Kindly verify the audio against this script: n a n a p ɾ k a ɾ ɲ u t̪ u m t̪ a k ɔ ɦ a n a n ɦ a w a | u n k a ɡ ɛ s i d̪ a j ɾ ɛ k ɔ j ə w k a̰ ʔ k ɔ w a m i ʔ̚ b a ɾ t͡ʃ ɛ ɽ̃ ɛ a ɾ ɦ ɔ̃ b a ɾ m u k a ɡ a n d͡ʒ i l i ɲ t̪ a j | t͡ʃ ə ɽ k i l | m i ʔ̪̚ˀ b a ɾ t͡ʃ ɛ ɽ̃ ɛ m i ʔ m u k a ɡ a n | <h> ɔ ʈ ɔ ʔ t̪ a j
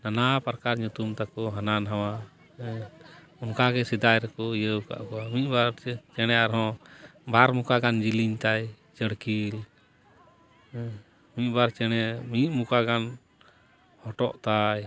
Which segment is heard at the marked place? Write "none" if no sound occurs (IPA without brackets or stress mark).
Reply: h